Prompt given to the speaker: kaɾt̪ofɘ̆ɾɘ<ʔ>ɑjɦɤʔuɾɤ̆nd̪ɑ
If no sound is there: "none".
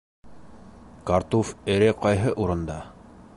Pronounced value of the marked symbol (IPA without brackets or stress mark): q